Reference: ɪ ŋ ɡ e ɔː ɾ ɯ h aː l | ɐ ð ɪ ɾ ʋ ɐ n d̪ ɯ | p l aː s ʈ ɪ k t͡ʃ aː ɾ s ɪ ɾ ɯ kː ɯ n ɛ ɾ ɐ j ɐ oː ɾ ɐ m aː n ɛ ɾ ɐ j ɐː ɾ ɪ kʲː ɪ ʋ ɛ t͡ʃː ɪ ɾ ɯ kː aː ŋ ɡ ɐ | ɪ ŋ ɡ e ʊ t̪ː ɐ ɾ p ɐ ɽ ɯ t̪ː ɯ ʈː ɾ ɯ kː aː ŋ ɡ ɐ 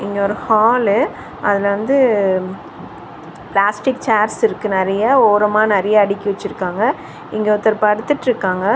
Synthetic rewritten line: ɪ ŋ ɡ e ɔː ɾ ɯ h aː l | ɐ ð ɪ l ʋ ɐ n d̪ ɯ | p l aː s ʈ ɪ k t͡ʃ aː ɾ s ɪ ɾ ɯ kː ɯ n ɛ ɾ ɐ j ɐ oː ɾ ɐ m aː n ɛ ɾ ɐ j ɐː ɽ ɪ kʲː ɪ ʋ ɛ t͡ʃː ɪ ɾ ɯ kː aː ŋ ɡ ɐ | ɪ ŋ ɡ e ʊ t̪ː ɐ ɾ p ɐ ɽ ɯ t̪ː ɯ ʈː ɾ ɯ kː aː ŋ ɡ ɐ